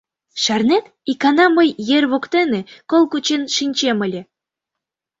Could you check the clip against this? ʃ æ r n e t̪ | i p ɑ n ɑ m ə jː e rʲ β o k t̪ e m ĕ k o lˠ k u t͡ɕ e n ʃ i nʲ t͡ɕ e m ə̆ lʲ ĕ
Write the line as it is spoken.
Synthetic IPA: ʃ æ r n e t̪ | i k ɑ n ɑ m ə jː e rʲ β o k t̪ e n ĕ k o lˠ k u t͡ɕ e n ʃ i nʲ t͡ɕ e m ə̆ lʲ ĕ